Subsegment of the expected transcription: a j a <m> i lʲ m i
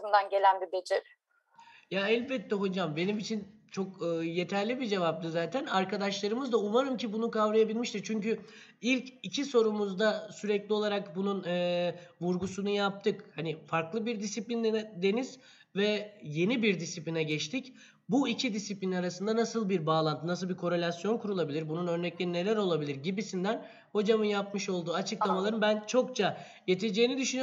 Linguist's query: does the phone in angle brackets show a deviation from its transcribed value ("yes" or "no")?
yes